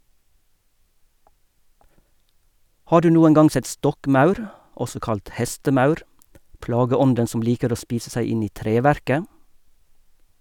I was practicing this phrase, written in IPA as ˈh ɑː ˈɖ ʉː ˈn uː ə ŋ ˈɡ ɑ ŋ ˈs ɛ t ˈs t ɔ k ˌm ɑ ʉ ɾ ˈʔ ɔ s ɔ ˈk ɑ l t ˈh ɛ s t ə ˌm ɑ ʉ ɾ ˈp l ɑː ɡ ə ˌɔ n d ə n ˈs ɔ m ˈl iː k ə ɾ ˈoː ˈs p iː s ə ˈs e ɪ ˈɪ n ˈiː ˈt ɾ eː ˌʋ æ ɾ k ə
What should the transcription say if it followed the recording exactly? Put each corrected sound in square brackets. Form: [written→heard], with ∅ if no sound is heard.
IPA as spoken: ˈh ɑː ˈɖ ʉː ˈn uː ə ŋ ˈɡ ɑ ŋ ˈs ɛ t ˈs t ɔ k ˌm ɑ ʉ ɾ ˈʔ ɔ s ɔ ˈk ɑ l t ˈh ɛ s t ə ˌm ɑ ʉ ɾ ˈp l ɑː ɡ ə ˌɔ n d ə n ˈs ɔ m ˈl iː k ə ɾ ˈoː ˈs p iː s ə ˈs [e→æ] ɪ ˈɪ n ˈiː ˈt ɾ eː ˌʋ æ ɾ k ə